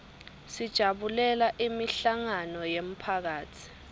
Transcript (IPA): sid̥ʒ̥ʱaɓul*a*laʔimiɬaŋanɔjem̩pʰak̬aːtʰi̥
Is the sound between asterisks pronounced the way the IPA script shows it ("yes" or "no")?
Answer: no